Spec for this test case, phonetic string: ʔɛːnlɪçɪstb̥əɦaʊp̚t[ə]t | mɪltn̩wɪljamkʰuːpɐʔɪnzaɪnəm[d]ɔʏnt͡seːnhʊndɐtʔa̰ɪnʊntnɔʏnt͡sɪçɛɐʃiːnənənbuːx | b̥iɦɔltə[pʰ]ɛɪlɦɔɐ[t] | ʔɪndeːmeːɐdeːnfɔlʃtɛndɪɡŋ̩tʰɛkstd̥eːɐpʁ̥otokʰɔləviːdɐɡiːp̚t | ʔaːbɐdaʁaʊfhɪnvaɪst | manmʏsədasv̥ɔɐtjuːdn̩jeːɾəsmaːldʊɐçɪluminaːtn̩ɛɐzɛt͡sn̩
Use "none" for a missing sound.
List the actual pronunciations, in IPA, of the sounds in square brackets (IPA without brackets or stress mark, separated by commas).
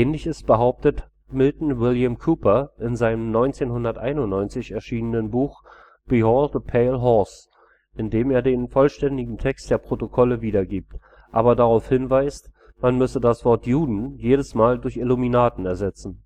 ə, n, pʰ, s